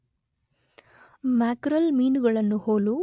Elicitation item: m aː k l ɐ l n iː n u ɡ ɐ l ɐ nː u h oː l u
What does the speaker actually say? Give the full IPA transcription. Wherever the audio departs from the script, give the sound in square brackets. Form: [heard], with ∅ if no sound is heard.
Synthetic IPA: m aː k [ɾ] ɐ l [m] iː n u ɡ ɐ [ɭ] ɐ nː u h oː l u